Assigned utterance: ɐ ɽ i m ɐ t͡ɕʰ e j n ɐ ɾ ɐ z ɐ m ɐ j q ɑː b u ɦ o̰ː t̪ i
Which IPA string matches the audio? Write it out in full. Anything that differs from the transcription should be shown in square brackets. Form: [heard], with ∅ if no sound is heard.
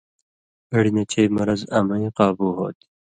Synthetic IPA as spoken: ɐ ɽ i [n] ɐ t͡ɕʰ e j [m] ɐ ɾ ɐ z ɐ m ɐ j q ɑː b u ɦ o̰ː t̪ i